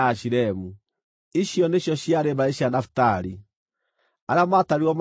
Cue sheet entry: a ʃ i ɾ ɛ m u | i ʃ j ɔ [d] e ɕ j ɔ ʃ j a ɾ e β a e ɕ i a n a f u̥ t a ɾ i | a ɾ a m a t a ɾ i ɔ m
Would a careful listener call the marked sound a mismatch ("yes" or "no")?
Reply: yes